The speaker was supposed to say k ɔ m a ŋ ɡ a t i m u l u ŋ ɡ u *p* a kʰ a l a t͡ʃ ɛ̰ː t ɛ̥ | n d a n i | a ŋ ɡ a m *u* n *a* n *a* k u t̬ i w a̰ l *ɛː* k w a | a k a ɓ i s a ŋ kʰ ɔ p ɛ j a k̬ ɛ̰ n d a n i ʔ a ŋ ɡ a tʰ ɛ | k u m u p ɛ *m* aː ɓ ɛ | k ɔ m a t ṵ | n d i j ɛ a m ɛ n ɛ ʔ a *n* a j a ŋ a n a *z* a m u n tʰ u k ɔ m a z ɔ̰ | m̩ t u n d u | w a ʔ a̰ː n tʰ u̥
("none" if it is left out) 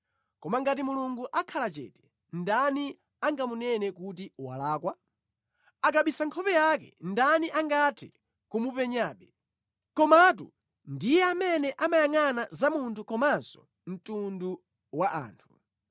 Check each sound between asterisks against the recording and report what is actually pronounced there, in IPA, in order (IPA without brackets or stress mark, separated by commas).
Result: ʔ, u, ɛ, ɛ, aː, ɲ, m, z